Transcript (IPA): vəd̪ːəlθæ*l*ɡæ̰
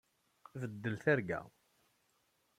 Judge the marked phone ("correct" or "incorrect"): incorrect